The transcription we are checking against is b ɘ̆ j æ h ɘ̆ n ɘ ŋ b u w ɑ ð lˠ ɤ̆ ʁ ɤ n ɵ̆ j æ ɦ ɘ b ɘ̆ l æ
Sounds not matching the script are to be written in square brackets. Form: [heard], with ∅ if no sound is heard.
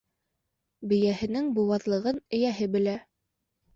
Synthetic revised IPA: b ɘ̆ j æ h ɘ̆ n ɘ ŋ b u w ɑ ð lˠ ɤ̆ ʁ ɤ n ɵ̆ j æ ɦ ɘ b ɘ̆ l æ